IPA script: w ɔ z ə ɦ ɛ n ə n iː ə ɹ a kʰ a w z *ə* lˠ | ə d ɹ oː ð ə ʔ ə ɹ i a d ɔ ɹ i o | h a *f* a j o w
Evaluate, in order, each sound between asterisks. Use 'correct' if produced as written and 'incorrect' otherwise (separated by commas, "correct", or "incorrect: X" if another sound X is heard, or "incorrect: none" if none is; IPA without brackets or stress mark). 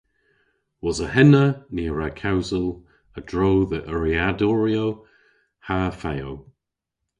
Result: correct, correct